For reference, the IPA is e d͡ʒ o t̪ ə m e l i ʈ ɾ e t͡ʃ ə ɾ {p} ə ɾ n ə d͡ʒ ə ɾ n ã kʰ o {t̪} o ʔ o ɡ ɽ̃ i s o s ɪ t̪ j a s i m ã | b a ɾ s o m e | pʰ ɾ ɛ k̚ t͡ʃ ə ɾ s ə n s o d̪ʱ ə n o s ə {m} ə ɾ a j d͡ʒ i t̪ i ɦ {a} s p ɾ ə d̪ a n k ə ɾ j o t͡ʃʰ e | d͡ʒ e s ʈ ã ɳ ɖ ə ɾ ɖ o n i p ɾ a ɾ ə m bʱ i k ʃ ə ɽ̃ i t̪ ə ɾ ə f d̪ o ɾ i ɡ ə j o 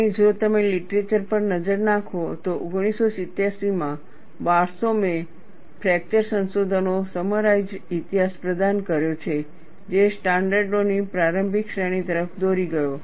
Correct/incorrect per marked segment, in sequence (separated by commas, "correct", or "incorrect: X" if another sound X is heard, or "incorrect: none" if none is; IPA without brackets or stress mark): correct, correct, correct, correct